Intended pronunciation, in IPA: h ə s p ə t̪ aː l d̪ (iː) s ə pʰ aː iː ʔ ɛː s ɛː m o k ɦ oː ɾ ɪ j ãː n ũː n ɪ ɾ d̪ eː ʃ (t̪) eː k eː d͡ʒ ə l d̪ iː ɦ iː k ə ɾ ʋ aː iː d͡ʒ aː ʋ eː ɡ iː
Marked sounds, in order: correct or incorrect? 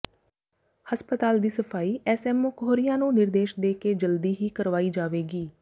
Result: correct, incorrect: d̪

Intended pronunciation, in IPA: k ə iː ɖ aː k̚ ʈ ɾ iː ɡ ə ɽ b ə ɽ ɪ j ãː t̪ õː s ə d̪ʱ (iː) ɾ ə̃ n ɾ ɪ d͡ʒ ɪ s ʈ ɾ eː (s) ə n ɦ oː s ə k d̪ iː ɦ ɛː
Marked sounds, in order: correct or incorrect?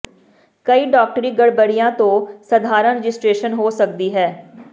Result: incorrect: aː, incorrect: ʃ

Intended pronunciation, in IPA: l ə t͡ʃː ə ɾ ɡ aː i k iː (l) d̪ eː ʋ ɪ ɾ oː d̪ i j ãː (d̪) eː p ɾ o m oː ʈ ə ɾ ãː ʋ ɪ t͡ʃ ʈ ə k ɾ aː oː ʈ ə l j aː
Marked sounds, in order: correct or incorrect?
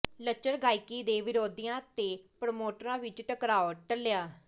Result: incorrect: none, incorrect: t̪

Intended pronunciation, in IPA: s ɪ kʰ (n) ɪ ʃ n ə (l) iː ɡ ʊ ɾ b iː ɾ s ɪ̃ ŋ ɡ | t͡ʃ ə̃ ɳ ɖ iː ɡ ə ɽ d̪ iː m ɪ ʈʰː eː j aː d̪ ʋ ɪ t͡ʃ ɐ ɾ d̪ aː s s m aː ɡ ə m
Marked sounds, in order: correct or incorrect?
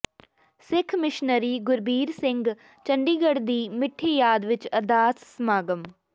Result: incorrect: m, incorrect: ɾ

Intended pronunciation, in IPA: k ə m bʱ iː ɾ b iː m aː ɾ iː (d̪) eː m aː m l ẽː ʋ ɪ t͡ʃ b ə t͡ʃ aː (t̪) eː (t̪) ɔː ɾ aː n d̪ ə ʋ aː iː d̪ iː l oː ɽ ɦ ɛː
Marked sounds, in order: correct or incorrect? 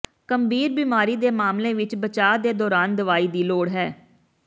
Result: correct, incorrect: d̪, incorrect: d̪

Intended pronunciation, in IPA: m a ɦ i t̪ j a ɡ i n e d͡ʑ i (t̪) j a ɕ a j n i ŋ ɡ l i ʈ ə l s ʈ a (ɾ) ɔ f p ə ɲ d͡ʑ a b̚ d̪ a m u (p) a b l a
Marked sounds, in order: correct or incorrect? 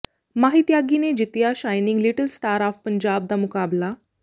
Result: correct, correct, incorrect: k

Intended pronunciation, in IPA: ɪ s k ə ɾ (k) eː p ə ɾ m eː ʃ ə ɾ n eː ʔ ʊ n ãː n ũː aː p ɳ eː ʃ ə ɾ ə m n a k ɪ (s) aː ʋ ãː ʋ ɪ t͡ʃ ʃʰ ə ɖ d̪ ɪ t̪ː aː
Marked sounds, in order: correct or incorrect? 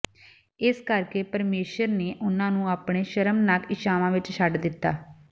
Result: correct, incorrect: ʃ

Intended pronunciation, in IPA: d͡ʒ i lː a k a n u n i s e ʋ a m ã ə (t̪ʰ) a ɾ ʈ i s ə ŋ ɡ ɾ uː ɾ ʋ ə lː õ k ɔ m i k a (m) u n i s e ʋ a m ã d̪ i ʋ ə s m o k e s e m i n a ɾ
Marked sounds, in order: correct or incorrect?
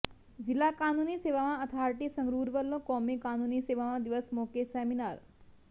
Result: correct, incorrect: n

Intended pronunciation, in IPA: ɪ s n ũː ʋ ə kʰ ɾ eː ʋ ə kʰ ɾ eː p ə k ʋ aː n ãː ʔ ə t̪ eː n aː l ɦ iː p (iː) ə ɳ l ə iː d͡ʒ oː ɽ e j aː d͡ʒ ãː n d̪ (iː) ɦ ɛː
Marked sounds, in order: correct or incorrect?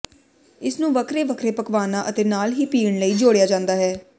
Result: correct, incorrect: aː

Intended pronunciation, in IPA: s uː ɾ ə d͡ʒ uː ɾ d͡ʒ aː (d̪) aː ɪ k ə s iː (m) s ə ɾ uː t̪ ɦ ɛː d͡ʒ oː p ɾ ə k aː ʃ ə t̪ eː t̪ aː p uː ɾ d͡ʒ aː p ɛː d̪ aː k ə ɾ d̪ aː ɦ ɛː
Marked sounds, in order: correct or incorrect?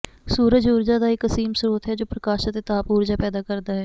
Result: correct, correct

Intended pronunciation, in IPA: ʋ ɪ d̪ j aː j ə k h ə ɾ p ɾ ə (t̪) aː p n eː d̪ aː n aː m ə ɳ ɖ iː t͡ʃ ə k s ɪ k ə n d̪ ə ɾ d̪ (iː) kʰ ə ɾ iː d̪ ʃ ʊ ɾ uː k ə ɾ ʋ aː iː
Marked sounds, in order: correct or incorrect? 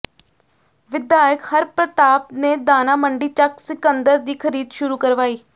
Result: correct, correct

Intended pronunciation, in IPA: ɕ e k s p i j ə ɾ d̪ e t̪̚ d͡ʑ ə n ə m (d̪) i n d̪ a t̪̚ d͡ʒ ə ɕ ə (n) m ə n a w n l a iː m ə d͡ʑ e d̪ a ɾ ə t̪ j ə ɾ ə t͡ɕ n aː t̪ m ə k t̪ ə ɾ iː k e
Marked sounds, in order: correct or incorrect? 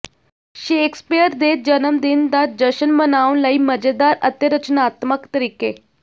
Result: correct, correct

